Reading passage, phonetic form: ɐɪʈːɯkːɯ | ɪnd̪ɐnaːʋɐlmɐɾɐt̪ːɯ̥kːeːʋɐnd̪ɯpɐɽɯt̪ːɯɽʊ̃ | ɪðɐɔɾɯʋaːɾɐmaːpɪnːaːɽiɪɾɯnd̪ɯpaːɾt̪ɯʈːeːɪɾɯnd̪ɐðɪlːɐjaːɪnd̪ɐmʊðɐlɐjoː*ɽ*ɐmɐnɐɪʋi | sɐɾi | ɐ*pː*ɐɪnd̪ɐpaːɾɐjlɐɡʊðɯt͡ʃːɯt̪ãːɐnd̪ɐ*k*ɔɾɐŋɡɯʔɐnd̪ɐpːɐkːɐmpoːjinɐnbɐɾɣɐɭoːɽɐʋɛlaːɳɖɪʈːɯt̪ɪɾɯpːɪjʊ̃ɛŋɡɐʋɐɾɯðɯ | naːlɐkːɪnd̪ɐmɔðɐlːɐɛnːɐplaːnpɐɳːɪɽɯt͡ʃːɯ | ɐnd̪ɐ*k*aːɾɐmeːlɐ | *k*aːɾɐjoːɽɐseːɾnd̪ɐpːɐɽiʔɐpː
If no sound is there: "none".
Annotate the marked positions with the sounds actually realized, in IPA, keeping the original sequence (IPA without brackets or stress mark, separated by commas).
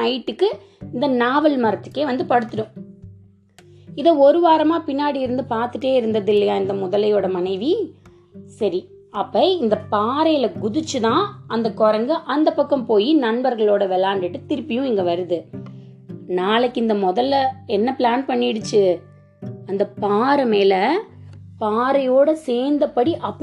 ɽ, pː, k, p, p